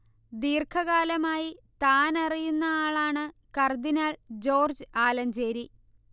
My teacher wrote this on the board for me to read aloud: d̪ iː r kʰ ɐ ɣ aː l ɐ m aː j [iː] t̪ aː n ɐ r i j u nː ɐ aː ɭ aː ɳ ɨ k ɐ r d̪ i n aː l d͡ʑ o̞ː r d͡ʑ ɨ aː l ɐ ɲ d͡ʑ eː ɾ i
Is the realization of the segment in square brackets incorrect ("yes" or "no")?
yes